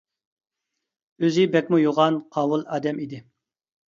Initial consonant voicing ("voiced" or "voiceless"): voiced